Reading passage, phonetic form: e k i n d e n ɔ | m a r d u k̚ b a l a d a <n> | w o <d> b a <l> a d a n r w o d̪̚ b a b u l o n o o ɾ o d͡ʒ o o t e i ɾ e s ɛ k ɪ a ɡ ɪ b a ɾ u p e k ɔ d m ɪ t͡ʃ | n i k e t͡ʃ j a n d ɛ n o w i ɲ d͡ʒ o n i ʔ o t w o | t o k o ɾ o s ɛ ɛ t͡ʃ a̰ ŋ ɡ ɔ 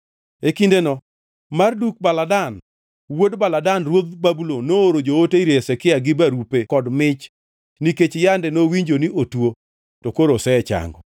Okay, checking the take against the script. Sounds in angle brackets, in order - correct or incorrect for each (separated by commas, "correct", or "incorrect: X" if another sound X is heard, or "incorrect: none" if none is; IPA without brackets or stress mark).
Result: correct, correct, correct